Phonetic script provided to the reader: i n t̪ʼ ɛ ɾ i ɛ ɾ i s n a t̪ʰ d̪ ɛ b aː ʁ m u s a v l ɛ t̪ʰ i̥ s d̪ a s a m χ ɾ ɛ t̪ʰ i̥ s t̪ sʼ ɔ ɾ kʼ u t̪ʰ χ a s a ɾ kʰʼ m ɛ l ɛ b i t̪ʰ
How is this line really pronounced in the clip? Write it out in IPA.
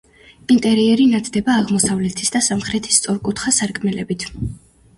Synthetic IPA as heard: i n t̪ʼ ɛ ɾ i ɛ ɾ i n a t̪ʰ d̪ ɛ b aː ʁ m ɔ s a v l ɛ t̪ʰ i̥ s d̪ a s a m χ ɾ ɛ t̪ʰ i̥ s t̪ sʼ ɔ ɾ kʼ u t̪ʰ χ a s a ɾ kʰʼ m ɛ l ɛ b i t̪ʰ